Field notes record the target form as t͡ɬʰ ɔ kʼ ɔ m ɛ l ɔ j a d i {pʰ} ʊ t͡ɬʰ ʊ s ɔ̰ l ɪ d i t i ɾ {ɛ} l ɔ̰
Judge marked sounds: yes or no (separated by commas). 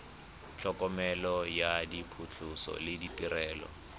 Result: yes, no